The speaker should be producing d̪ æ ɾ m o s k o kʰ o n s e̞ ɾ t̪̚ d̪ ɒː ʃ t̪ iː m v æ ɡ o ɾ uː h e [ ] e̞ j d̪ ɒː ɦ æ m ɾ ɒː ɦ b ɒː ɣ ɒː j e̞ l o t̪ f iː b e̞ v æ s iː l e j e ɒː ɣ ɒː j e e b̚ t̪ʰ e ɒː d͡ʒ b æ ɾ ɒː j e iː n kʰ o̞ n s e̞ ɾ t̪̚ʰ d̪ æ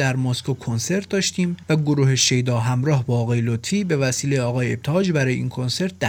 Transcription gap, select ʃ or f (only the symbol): ʃ